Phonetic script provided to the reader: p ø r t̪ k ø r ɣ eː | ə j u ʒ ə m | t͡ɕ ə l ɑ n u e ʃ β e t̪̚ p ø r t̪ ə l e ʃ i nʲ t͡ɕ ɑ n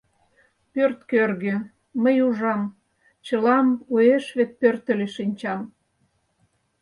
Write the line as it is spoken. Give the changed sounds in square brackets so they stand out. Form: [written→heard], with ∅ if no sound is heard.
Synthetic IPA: p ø r t̪ k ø r ɣ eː | ə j u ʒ [ə→ɑ] m | t͡ɕ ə l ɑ [n→m] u e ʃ β e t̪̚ p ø r t̪ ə l e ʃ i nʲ t͡ɕ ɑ [n→m]